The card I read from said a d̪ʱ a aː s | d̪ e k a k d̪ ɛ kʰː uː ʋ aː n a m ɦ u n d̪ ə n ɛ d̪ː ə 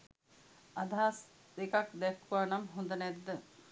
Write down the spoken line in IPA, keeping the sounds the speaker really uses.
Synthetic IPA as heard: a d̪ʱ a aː s | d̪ e k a k d̪ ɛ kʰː u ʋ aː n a m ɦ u n d̪ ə n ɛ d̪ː ə